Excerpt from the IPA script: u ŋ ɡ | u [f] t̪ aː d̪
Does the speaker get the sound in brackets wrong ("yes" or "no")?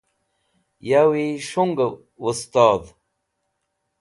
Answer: yes